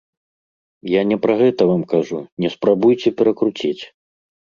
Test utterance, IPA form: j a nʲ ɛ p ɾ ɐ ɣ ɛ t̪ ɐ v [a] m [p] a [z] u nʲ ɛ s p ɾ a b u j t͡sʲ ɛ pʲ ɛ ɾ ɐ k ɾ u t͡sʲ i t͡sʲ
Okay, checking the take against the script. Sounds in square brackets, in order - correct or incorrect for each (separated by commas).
correct, incorrect, incorrect